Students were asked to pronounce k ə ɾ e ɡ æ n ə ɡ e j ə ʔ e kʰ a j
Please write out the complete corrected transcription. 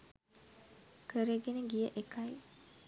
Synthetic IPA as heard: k ə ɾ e ɡ e n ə ɡ i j ə ʔ e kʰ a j